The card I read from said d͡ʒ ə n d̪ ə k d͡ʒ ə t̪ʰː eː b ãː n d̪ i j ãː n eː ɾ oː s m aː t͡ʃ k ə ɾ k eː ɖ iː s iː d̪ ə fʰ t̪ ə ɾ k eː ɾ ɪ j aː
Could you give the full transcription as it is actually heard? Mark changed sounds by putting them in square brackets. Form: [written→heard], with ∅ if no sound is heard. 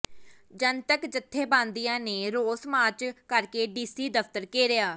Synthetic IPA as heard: d͡ʒ ə n [d̪→t̪] ə k d͡ʒ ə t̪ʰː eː b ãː n d̪ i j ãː n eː ɾ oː s m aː t͡ʃ k ə ɾ k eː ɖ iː s iː d̪ ə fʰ t̪ ə ɾ k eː ɾ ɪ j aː